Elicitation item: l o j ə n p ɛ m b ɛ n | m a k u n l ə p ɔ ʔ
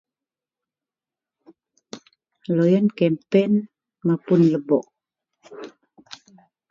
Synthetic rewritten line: l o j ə n k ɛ m p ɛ n | m a p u n l ə b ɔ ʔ